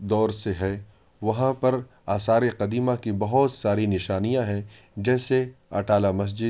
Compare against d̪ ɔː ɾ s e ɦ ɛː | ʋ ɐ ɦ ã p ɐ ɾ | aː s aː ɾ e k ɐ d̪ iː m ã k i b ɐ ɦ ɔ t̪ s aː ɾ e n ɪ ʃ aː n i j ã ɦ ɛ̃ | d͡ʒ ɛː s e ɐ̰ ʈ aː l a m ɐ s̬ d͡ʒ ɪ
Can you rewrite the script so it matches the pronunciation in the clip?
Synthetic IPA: d̪ ɔː ɾ s e ɦ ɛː | ʋ ɐ ɦ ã p ɐ ɾ | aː s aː ɾ e q ɐ d̪ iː m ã k i b ɐ ɦ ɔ t̪ s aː ɾ i n ɪ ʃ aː n i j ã ɦ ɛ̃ | d͡ʒ ɛː s e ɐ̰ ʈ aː l a m ɐ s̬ d͡ʒ ɪ